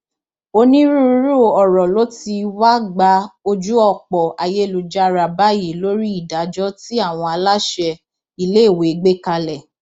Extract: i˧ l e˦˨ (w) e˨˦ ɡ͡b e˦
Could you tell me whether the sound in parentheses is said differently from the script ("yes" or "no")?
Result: no